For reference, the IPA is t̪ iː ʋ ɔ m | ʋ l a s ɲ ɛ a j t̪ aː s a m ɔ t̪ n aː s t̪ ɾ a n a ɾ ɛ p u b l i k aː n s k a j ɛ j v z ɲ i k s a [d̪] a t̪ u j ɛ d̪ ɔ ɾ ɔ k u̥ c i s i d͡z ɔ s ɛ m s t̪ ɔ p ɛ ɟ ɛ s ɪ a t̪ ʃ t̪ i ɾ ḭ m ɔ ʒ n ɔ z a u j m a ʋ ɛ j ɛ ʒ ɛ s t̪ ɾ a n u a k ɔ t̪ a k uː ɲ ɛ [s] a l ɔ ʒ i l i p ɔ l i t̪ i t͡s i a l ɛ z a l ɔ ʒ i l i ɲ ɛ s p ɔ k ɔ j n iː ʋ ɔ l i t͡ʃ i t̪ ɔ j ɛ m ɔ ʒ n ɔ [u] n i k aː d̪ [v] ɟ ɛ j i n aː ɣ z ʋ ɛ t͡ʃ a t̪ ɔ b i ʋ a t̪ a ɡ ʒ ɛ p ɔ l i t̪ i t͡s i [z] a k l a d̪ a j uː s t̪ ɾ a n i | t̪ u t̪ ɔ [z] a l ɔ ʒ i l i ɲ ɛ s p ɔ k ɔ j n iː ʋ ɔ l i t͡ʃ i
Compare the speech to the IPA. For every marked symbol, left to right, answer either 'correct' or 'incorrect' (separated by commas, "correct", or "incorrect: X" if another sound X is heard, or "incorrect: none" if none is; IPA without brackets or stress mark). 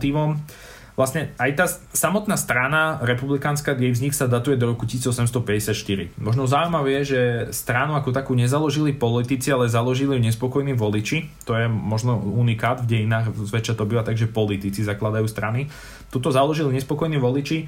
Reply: correct, incorrect: z, correct, correct, correct, correct